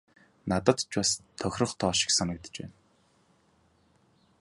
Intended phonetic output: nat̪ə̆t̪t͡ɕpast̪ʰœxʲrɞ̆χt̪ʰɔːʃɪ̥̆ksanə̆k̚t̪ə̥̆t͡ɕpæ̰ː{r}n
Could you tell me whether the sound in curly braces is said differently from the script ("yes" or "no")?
yes